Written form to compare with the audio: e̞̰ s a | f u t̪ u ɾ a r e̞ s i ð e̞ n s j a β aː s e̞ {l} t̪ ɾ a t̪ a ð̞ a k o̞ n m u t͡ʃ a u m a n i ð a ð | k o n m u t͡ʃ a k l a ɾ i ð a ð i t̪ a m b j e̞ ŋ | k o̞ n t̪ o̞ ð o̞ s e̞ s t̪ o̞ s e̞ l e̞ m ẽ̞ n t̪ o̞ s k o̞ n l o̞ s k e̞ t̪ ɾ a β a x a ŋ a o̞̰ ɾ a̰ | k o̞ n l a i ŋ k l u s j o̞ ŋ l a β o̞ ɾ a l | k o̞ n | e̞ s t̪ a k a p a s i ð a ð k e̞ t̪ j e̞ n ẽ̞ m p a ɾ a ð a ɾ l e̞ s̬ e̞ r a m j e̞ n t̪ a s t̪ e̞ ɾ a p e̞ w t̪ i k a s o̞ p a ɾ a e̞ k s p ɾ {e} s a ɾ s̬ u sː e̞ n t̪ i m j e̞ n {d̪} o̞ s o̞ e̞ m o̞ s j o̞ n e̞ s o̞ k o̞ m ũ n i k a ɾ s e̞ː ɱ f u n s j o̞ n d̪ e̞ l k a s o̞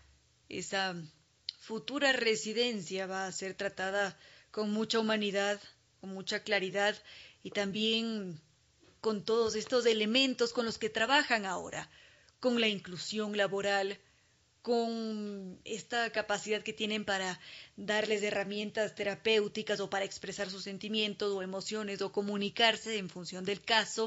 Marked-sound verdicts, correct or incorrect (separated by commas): incorrect, correct, incorrect